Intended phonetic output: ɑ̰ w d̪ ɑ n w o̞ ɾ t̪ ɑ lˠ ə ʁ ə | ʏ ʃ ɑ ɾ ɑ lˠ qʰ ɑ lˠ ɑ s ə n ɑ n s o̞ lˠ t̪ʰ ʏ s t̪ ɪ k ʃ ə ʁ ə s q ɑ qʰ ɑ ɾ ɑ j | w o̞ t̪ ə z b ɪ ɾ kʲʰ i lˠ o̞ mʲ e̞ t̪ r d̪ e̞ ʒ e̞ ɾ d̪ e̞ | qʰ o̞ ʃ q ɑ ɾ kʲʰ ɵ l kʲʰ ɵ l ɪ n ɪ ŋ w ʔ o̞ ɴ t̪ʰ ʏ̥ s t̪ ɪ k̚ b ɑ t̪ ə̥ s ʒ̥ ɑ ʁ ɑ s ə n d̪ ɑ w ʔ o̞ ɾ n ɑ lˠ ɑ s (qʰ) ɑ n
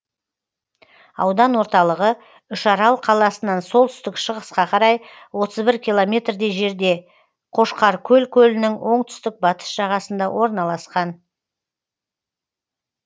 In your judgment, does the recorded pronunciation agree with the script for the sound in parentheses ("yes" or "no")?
no